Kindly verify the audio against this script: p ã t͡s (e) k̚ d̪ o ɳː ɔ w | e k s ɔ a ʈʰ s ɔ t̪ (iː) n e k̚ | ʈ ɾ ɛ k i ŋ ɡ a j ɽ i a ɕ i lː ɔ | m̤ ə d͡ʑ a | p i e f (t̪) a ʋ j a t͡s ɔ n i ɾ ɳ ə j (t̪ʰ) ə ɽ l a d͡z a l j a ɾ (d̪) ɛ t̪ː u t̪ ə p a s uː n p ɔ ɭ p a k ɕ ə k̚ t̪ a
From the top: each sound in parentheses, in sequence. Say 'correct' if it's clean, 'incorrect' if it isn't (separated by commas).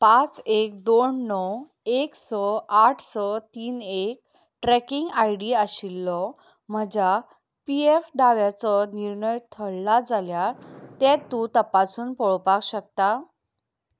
correct, correct, incorrect, correct, incorrect